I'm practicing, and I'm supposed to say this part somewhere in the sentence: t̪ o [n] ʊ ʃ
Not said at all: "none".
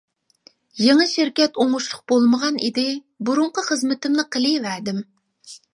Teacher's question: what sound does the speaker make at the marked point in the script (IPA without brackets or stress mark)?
ŋ